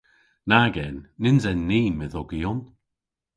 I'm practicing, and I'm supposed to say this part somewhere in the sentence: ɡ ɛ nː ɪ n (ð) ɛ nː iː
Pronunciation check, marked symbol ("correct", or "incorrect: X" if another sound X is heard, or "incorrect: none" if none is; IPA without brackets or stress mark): incorrect: z